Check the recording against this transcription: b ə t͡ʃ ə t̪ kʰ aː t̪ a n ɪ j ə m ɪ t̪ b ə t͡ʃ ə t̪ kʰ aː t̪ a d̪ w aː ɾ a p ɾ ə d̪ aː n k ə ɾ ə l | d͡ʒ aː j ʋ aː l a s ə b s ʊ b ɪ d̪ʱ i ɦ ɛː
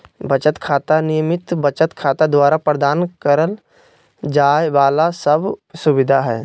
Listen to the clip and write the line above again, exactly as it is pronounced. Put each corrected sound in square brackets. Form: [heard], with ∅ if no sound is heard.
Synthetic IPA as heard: b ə t͡ʃ ə t̪ kʰ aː t̪ a n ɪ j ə m ɪ t̪ b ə t͡ʃ ə t̪ kʰ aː t̪ a d̪ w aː ɾ a p ɾ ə d̪ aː n k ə ɾ ə l | d͡ʒ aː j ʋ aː l a s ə b s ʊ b ɪ d̪ʱ [a] ɦ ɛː